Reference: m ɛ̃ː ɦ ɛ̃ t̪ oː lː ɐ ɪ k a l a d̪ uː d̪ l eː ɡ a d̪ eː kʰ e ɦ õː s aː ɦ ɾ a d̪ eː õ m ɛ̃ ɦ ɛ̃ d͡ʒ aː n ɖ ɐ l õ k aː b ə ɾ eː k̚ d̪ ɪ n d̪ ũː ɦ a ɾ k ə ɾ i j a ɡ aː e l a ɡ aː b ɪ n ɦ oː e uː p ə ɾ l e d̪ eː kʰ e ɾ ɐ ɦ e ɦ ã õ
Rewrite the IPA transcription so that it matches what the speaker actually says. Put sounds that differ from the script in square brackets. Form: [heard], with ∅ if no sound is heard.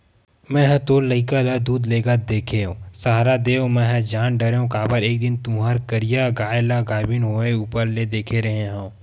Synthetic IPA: m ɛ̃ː ɦ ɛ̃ t̪ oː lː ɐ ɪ k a l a d̪ uː d̪ l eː ɡ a d̪ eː kʰ e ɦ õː s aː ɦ ɾ a d̪ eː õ m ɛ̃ ɦ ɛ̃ d͡ʒ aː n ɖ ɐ [ɾ] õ k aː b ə ɾ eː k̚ d̪ ɪ n [t̪] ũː ɦ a ɾ k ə ɾ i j a ɡ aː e l a ɡ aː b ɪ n ɦ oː e uː p ə ɾ l e d̪ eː kʰ e ɾ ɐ ɦ e ɦ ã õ